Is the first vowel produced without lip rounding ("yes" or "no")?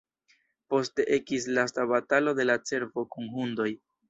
no